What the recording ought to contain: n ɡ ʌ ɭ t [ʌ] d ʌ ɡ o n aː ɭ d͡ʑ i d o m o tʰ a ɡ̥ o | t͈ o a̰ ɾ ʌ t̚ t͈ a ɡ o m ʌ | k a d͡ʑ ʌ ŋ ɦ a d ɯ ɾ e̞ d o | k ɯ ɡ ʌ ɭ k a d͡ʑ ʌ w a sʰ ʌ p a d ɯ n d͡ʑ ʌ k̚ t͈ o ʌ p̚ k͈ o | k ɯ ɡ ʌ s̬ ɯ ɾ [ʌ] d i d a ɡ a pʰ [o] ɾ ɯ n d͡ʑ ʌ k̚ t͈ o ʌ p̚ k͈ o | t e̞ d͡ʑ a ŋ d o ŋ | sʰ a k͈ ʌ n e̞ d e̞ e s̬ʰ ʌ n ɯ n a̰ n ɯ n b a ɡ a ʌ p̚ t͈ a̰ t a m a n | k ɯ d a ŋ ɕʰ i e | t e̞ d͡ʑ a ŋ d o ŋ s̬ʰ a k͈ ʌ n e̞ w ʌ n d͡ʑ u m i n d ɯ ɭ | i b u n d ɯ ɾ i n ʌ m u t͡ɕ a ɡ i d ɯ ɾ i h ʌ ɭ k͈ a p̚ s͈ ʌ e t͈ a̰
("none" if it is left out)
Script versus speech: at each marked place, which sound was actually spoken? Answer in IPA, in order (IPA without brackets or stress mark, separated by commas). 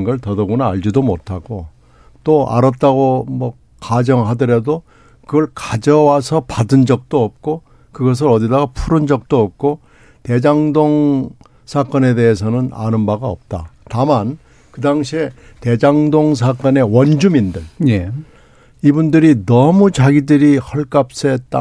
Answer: ʌ, ʌ, u